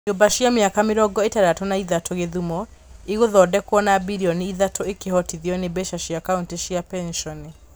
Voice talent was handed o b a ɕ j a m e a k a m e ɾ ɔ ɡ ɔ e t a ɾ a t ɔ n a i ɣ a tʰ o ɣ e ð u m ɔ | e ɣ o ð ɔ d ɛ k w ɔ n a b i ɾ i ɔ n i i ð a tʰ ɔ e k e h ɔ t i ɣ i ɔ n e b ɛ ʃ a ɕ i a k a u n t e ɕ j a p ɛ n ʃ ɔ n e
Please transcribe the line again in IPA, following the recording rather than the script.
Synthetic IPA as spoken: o b a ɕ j a m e a k a m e ɾ ɔ ɡ ɔ e t a ɾ a t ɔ n a i ð a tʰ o ɣ e ð u m ɔ | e ɣ o ð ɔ d ɛ k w ɔ n a b i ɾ i ɔ n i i ð a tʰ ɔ e k e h ɔ t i ð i ɔ n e b ɛ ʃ a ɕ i a k a u n t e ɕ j a p ɛ n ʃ ɔ n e